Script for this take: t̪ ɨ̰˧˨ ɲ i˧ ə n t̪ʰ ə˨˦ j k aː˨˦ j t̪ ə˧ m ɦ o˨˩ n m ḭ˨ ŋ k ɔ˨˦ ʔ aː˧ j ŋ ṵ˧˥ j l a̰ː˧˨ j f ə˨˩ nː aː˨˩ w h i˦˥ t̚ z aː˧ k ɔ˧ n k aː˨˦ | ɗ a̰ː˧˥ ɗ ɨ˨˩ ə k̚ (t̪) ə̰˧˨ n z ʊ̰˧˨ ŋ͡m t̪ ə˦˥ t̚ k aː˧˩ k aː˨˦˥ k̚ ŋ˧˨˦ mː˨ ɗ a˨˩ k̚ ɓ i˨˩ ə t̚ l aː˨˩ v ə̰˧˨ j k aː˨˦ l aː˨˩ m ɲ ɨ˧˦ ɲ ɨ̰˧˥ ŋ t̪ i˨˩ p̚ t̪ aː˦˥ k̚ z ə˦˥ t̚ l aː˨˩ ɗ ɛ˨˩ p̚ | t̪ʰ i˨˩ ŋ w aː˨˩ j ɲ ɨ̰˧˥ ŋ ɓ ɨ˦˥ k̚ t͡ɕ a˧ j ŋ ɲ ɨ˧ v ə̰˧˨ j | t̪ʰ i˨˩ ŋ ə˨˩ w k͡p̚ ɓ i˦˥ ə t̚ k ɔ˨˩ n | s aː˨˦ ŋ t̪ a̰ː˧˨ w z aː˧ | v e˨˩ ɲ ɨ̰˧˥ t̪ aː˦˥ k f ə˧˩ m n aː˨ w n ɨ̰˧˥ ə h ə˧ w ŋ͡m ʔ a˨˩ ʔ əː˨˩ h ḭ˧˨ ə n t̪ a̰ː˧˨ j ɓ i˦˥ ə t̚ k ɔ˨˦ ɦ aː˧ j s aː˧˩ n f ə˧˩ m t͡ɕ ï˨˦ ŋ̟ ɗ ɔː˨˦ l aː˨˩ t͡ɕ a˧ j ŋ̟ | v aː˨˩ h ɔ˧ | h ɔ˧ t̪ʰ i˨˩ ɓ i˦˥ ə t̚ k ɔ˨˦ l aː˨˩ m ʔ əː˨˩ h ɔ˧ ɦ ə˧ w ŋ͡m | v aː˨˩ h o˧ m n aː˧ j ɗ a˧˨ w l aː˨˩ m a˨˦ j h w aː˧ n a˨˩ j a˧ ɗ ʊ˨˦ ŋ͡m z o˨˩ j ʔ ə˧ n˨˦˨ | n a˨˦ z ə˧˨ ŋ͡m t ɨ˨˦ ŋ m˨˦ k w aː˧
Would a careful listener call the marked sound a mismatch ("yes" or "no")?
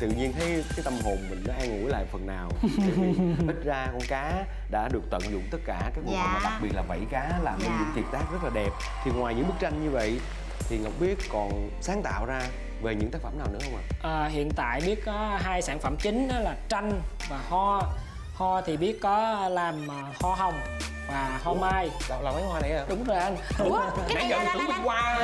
no